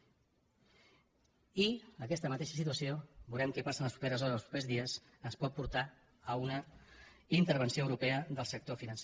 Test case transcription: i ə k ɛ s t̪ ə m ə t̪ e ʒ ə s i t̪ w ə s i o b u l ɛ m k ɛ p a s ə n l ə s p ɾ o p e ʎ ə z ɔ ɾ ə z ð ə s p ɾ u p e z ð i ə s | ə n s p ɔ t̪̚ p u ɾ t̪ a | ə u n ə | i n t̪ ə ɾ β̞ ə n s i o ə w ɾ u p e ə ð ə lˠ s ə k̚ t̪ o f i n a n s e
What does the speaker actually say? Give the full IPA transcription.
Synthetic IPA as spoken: i ə k ɛ s t̪ ə m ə t̪ e ʃ ə s i t̪ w ə s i o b u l ɛ m k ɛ p a s ə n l ə s p ɾ u p e ɾ ə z ɔ ɾ ə z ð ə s p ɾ u p e z ð i ə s | ə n s p ɔ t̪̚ p u ɾ t̪ a | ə u n ə | i n t̪ ə ɾ β̞ ə n s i o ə w ɾ u p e ə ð ə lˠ s ə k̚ t̪ o f i n ə n s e